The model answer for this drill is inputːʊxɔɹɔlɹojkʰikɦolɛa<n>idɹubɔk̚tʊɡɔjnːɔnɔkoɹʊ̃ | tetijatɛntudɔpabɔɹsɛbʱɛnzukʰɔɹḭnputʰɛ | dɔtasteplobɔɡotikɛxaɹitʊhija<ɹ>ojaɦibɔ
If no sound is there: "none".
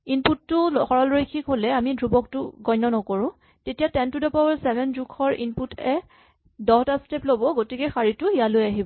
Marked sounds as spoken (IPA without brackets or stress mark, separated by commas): m, l